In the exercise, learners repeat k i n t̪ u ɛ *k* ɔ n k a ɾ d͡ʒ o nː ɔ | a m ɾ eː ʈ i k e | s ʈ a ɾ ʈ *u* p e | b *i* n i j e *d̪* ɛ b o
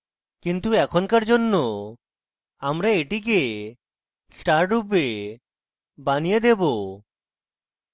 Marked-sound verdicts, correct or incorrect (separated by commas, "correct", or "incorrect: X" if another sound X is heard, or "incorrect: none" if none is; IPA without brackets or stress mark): incorrect: kʰ, correct, incorrect: a, correct